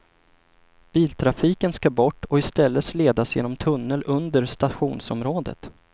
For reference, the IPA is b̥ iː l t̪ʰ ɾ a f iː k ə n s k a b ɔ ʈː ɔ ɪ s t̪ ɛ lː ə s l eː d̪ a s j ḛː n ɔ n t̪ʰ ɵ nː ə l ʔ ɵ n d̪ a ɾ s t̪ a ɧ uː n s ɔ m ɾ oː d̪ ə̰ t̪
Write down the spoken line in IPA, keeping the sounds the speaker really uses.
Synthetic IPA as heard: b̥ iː l t̪ʰ ɾ a f iː k ə n s k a b ɔ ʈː ɔ ɪ s t̪ ɛ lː ə s l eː d̪ a s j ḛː n ɔ m t̪ʰ ɵ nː ə l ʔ ɵ n d̪ ə ɾ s t̪ a ɧ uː n s ɔ m ɾ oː d̪ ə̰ t̪